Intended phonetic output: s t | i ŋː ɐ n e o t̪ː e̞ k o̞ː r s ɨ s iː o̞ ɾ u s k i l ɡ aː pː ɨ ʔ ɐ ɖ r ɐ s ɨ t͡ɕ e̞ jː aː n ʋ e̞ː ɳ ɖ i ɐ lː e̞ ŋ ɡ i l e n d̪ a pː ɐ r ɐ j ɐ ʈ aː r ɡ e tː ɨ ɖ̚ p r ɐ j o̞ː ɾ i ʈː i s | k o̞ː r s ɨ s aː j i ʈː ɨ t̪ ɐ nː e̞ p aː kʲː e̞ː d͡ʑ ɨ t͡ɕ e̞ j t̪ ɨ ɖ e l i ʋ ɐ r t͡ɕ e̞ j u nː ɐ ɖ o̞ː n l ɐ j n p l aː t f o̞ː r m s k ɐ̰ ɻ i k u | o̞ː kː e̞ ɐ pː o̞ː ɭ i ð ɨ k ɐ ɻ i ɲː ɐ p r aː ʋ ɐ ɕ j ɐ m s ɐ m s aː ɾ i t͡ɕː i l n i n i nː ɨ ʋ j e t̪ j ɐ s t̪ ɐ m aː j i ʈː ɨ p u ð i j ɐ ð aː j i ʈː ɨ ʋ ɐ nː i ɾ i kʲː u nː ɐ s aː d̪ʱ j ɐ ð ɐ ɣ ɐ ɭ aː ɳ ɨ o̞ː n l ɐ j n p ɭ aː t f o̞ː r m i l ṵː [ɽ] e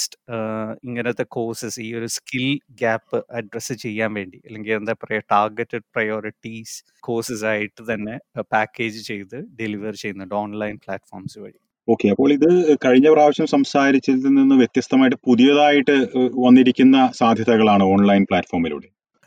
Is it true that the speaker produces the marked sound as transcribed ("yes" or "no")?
yes